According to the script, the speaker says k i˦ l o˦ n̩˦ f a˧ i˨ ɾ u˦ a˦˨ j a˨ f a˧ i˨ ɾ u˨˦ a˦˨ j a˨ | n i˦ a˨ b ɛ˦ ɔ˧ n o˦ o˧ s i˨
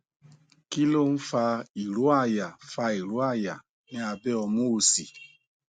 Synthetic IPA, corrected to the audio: k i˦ l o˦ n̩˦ f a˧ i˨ ɾ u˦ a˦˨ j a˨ f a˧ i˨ ɾ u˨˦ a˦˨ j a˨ | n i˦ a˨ b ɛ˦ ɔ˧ m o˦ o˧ s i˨